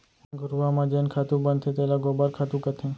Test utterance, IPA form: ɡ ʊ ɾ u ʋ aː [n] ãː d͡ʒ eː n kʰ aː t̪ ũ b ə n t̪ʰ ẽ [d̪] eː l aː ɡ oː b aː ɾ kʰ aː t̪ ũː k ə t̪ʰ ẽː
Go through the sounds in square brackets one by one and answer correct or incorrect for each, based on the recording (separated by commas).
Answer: incorrect, incorrect